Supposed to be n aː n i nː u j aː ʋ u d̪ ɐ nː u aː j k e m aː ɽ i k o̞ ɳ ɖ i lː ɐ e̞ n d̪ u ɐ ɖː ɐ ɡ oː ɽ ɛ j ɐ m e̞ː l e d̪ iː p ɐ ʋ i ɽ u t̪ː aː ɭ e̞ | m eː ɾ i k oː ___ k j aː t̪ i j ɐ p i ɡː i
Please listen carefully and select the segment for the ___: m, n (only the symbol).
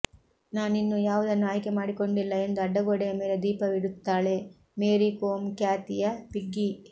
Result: m